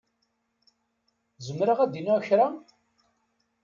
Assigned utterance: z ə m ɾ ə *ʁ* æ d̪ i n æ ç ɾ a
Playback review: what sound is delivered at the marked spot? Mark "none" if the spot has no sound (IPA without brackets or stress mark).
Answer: ʁ